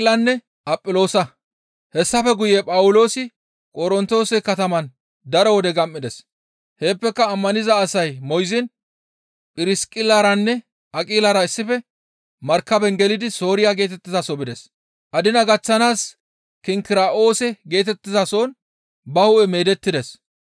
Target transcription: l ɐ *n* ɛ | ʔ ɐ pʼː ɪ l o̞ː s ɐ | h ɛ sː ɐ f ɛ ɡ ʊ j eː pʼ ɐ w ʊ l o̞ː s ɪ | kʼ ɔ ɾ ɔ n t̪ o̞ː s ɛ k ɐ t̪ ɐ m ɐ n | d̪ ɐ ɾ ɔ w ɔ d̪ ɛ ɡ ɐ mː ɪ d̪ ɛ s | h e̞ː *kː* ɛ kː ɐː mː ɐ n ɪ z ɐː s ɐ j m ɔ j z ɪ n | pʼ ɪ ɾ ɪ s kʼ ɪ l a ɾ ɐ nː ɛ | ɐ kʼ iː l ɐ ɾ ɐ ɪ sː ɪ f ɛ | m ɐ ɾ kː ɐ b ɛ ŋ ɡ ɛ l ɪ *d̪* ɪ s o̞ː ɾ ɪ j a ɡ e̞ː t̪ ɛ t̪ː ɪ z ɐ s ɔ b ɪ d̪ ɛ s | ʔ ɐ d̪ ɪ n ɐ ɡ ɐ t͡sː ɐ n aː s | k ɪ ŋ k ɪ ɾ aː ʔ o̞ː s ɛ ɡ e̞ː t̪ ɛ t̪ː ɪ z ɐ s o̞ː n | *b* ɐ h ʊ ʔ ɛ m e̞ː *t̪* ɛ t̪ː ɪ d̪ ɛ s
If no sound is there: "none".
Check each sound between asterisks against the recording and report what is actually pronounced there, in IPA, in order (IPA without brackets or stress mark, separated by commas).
nː, pː, d̪, b, d̪